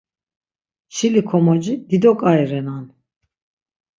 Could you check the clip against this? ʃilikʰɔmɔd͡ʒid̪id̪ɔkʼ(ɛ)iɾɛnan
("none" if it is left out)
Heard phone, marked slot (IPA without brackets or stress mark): a